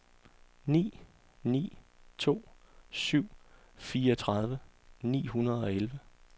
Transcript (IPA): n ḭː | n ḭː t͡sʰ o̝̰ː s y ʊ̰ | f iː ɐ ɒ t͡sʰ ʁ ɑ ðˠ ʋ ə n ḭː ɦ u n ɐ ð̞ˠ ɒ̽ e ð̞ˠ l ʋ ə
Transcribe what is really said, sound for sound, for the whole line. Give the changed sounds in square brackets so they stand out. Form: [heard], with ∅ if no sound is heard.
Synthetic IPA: n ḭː | n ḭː t͡sʰ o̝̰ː s y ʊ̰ | f iː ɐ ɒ t͡sʰ ʁ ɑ ðˠ ʋ ə n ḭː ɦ u n ɐ ð̞ˠ ɒ̽ e [∅] l ʋ ə